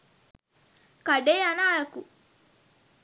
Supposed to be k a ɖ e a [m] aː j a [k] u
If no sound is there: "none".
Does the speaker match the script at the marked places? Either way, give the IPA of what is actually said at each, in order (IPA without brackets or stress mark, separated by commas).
n, k